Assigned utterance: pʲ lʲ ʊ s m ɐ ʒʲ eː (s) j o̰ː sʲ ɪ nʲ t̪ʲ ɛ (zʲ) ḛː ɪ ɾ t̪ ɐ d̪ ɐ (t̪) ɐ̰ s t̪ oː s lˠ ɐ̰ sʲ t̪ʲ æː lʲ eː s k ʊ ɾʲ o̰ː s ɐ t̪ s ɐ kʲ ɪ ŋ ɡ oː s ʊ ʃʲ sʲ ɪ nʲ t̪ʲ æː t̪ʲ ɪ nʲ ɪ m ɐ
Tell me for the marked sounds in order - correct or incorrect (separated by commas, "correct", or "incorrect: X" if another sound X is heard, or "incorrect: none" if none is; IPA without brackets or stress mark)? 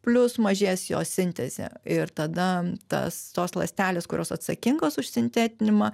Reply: correct, correct, correct